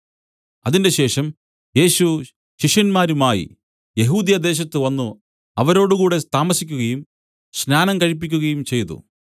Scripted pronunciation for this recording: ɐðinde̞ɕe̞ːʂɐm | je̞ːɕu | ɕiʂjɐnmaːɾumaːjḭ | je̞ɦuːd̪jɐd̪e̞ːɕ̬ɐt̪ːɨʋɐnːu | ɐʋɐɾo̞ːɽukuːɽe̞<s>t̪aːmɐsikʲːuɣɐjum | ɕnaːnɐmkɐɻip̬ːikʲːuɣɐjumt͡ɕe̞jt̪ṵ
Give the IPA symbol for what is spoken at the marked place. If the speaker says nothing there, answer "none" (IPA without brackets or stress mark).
s